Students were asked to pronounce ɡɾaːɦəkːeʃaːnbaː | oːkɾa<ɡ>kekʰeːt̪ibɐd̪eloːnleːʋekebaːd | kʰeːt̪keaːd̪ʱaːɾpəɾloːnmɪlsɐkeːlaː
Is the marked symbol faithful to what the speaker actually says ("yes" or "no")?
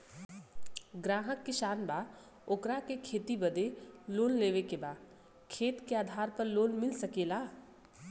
no